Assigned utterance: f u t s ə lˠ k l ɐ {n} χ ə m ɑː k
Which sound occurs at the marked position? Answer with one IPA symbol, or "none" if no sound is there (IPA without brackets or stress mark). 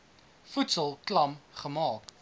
m